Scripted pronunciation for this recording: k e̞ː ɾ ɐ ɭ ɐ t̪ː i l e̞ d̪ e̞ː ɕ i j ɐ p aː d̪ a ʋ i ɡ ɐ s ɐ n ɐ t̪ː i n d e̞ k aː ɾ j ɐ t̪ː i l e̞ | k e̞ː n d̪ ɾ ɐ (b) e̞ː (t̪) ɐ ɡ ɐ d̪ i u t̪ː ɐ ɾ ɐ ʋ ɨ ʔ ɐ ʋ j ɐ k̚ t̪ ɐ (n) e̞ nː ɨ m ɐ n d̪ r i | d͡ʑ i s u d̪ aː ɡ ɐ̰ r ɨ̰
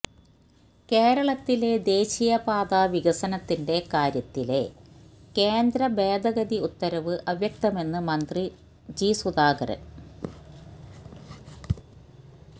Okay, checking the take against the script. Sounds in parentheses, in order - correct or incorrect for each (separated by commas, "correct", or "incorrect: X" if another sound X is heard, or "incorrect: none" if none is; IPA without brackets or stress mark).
correct, incorrect: d̪, incorrect: m